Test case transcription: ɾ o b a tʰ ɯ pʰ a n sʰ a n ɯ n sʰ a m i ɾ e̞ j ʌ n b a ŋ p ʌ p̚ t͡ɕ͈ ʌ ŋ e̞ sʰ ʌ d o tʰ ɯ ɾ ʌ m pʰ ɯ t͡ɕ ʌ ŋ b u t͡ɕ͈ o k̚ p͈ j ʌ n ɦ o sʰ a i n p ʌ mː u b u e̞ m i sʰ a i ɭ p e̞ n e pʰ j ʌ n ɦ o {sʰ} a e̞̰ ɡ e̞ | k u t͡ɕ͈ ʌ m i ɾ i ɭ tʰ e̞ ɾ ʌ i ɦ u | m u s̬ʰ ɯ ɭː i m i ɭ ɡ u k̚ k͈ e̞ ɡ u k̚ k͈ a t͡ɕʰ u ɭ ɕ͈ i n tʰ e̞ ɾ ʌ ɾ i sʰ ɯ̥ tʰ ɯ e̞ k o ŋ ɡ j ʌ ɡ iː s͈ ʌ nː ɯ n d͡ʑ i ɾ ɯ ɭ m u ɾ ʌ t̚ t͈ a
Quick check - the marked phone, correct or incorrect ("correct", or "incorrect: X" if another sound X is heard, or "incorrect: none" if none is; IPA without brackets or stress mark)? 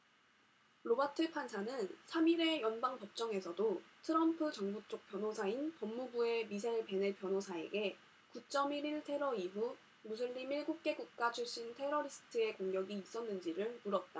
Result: correct